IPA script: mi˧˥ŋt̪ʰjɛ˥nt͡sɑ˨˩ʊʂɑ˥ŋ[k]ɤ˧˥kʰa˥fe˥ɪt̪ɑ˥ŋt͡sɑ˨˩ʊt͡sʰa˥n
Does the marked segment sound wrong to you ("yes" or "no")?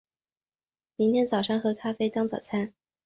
yes